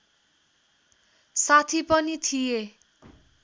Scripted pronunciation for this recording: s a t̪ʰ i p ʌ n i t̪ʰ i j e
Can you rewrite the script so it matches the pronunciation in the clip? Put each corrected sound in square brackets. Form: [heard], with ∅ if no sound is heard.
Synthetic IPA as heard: s a t̪ʰ i p ʌ n i t̪ʰ i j e